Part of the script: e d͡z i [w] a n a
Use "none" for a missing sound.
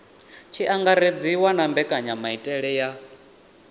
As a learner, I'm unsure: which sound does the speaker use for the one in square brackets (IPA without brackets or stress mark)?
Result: w